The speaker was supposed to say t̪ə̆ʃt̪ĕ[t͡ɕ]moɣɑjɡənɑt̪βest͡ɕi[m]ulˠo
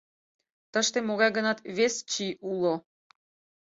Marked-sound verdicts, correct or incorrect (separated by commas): incorrect, incorrect